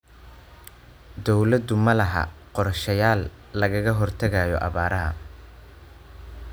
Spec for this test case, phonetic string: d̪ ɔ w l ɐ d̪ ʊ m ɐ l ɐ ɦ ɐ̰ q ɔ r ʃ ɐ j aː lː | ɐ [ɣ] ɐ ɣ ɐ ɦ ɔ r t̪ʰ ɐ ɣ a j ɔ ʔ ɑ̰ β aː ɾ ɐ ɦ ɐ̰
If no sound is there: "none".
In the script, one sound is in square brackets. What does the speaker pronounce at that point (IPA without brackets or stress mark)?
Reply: ɣ